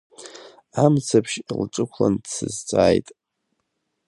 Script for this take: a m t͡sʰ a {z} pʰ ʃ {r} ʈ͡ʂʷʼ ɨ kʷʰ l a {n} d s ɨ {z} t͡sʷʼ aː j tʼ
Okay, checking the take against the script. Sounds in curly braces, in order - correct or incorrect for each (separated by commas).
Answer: incorrect, incorrect, correct, correct